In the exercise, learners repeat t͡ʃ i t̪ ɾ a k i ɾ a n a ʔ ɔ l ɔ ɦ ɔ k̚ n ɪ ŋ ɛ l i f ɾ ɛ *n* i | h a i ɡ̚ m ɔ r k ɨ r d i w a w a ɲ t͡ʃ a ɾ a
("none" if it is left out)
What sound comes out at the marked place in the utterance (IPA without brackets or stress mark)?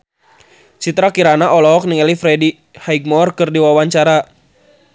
d